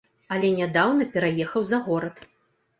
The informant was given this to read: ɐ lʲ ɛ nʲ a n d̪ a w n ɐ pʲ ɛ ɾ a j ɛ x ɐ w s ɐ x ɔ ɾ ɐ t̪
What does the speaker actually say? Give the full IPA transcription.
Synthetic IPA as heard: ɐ lʲ ɛ nʲ a d̪ a w n ɐ pʲ ɛ ɾ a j ɛ x ɐ w z ɐ ɣ ɔ ɾ ɐ t̪